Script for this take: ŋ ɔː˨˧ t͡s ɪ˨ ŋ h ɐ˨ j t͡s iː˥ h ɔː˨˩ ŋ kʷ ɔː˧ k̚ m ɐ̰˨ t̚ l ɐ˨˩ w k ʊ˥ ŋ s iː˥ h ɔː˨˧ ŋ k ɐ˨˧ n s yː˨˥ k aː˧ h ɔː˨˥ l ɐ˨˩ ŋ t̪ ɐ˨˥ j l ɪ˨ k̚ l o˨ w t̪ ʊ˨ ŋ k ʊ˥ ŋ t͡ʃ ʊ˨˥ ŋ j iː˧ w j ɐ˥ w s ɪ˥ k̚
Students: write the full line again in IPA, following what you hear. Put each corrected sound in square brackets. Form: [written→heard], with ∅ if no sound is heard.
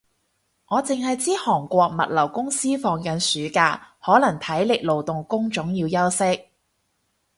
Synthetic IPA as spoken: ŋ ɔː˨˧ t͡s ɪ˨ ŋ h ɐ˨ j t͡s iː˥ h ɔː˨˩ ŋ kʷ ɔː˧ k̚ m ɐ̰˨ t̚ l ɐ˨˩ w k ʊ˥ ŋ s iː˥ [h→f] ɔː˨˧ ŋ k ɐ˨˧ n s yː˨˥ k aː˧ h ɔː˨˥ l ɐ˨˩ ŋ [t̪→t̪ʰ] ɐ˨˥ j l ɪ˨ k̚ l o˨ w t̪ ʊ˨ ŋ k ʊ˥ ŋ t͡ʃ ʊ˨˥ ŋ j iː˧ w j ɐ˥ w s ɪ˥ k̚